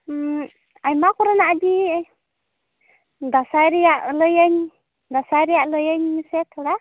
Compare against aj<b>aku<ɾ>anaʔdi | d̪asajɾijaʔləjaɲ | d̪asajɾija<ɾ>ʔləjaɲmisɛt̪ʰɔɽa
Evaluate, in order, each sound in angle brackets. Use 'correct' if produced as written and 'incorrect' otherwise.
incorrect: m, correct, incorrect: none

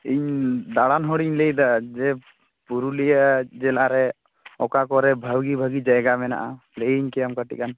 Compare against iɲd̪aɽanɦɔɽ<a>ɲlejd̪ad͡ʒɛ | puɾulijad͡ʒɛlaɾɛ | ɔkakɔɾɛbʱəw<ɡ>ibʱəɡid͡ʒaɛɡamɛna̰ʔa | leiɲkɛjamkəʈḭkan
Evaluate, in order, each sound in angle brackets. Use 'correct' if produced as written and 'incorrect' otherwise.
incorrect: i, correct

